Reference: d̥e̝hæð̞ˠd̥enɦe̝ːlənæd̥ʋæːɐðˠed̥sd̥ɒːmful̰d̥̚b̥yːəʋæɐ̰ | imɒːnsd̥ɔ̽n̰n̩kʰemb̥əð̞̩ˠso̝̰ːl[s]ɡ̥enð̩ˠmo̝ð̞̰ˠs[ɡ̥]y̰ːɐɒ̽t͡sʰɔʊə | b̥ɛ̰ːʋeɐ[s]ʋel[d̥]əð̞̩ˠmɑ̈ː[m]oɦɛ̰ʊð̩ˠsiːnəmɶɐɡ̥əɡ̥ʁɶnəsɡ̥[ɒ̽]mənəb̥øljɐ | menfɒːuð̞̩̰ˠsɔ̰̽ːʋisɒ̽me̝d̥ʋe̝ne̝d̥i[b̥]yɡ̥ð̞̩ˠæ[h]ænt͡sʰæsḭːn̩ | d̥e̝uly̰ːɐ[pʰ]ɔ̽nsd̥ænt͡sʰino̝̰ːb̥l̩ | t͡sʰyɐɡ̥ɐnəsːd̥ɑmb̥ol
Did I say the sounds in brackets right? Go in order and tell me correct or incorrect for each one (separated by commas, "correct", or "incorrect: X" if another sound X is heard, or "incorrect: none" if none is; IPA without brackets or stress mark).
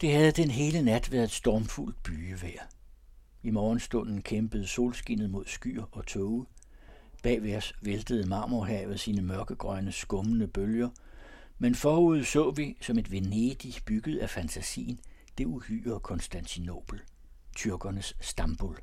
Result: correct, correct, correct, correct, correct, incorrect: ɔ̽, correct, incorrect: f, incorrect: kʰ